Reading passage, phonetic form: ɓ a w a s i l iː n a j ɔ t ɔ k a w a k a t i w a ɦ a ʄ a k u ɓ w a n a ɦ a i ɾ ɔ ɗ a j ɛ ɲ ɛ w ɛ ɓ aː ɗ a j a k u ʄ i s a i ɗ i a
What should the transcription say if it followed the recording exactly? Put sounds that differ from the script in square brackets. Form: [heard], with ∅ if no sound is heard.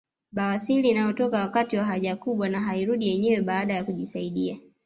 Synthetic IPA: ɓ a w a s i l iː n a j ɔ t ɔ k a w a k a t i w a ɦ a ʄ a k u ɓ w a n a ɦ a i ɾ [u] ɗ [i] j ɛ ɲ ɛ w ɛ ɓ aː ɗ a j a k u ʄ i s a i ɗ i a